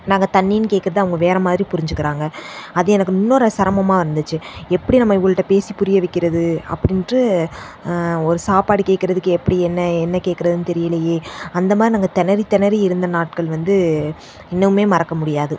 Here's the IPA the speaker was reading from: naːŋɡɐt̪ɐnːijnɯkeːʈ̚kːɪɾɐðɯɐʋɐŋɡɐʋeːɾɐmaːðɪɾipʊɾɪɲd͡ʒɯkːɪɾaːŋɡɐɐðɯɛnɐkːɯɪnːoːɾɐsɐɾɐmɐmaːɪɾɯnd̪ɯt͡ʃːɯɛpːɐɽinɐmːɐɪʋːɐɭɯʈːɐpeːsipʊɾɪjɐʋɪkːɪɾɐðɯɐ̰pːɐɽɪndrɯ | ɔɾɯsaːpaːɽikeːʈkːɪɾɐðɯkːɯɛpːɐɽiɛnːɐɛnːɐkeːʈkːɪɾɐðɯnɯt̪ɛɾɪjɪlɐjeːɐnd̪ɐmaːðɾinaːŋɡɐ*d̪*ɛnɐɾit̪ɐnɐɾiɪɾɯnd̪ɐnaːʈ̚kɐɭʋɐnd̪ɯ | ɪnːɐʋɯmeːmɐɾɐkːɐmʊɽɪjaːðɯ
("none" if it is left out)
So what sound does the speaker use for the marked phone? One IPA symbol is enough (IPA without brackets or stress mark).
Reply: t̪